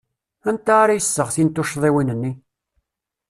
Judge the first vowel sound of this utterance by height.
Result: low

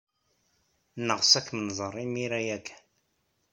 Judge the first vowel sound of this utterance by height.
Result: mid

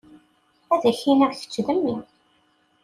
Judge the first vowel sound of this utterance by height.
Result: low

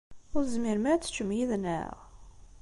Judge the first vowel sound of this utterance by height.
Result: high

